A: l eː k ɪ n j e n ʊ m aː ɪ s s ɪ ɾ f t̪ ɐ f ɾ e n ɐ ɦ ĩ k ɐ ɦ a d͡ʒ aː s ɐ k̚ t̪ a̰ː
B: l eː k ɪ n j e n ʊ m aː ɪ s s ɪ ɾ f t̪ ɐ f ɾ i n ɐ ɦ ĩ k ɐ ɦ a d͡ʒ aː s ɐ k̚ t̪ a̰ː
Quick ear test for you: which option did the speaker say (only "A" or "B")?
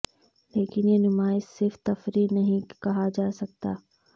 B